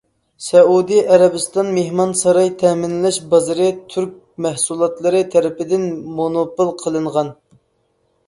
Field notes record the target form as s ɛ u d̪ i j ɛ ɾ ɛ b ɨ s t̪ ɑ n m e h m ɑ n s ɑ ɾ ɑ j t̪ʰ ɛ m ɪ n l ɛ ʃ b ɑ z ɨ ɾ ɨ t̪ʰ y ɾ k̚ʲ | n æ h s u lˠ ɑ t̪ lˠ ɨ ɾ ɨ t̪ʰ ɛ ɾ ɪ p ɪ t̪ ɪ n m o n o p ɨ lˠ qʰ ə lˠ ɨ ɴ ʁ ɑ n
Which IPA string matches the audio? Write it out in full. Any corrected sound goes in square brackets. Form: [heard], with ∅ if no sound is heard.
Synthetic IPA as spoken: s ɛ u d̪ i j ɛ ɾ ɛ b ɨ s t̪ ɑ n m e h m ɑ n s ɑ ɾ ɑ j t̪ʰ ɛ m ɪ n l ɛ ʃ b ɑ z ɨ ɾ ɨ t̪ʰ y ɾ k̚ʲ | [m] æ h s u lˠ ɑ t̪ lˠ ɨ ɾ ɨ t̪ʰ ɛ ɾ ɪ p ɪ [d̪] ɪ n m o n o p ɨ lˠ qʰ ə lˠ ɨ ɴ ʁ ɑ n